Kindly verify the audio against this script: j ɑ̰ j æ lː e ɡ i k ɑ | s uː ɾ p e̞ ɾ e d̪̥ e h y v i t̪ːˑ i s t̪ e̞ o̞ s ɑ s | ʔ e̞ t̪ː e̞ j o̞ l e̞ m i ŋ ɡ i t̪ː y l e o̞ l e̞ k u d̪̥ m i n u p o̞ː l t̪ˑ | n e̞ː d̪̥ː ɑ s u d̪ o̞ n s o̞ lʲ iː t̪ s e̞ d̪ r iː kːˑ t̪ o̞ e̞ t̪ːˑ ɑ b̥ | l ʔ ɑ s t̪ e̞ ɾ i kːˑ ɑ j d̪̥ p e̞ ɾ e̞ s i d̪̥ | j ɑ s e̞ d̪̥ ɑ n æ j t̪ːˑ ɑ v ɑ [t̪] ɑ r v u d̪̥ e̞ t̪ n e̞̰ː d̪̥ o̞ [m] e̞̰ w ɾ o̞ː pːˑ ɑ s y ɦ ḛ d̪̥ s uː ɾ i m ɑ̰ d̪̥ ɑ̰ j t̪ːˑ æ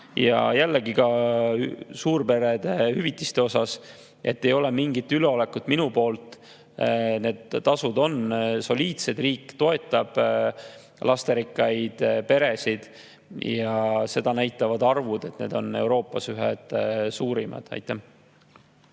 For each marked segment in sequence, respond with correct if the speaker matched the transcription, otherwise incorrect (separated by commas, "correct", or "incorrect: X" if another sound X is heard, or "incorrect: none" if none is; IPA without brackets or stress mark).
incorrect: d̪, incorrect: n